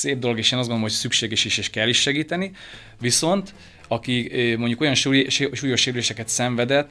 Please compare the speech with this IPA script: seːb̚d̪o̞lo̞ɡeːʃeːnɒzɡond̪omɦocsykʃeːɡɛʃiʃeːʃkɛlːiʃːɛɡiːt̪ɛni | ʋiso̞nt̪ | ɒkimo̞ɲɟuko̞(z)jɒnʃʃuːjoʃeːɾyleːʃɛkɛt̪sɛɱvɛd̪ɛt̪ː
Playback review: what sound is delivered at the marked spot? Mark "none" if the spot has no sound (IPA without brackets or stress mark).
none